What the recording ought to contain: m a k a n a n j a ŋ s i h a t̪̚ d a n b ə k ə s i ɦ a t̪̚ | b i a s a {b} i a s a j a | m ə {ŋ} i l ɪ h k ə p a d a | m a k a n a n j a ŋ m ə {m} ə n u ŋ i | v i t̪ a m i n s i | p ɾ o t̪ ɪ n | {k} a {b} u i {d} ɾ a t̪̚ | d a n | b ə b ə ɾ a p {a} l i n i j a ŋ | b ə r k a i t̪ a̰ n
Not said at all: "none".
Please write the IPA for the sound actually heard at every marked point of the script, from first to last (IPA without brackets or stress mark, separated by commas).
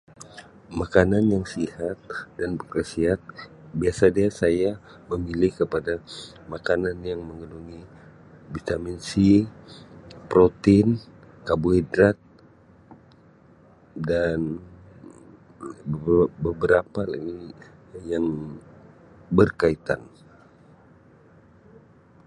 d, m, ŋ, k, b, d, a